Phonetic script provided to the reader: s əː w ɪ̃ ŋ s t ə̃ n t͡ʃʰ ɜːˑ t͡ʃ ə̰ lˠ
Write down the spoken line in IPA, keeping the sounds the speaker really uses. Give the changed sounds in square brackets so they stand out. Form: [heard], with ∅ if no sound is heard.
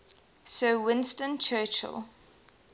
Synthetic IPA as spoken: s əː w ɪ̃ [n] s t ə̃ n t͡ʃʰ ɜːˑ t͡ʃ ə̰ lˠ